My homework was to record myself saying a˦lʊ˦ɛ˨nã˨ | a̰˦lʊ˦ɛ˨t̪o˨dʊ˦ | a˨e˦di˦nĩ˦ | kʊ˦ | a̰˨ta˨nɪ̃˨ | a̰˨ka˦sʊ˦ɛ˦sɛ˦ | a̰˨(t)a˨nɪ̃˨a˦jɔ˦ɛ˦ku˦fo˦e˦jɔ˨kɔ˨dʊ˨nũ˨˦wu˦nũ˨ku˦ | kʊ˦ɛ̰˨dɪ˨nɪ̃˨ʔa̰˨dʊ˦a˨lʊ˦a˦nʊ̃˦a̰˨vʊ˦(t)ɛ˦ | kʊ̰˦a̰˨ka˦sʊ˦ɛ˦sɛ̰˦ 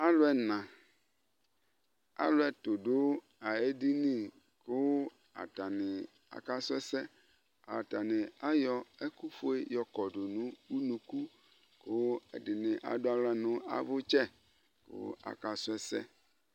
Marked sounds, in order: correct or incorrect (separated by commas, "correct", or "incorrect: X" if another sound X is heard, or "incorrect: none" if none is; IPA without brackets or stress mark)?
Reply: correct, incorrect: t͡ʃ